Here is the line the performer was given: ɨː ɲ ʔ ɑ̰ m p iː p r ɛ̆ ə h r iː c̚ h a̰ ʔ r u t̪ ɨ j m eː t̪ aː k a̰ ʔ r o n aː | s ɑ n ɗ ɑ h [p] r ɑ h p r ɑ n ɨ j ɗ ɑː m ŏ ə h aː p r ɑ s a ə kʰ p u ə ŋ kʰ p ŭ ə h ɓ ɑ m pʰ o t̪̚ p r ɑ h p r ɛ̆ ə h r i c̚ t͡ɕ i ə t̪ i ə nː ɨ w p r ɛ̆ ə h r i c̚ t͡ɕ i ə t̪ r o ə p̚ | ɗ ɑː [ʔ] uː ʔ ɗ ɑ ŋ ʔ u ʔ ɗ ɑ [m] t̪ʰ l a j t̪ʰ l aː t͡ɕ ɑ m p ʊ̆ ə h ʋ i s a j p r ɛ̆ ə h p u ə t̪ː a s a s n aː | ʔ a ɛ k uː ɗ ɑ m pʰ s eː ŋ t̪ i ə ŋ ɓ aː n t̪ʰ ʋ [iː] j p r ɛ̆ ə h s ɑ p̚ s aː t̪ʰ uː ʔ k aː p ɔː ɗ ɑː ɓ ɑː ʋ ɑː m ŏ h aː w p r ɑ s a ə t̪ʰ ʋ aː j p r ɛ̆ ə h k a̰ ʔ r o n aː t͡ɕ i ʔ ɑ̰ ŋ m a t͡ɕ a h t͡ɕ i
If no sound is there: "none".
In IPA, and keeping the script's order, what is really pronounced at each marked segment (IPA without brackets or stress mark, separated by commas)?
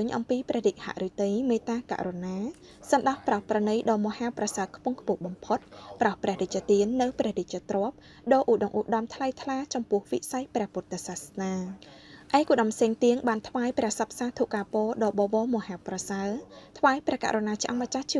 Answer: p, ʔ, m, aː